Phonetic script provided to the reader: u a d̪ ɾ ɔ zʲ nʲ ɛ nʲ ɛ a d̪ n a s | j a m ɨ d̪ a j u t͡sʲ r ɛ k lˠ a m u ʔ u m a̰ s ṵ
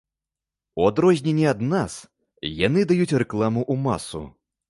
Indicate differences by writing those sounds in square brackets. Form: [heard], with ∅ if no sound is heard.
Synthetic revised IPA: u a d̪ ɾ ɔ zʲ nʲ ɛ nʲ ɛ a d̪ n a s | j a [n] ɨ d̪ a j u t͡sʲ r ɛ k lˠ a m u ʔ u m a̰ s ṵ